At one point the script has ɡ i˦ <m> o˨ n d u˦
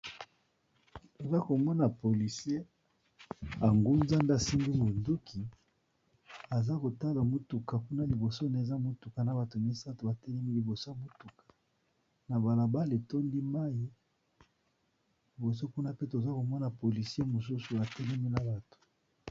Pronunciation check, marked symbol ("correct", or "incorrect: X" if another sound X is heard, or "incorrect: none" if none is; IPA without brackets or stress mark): correct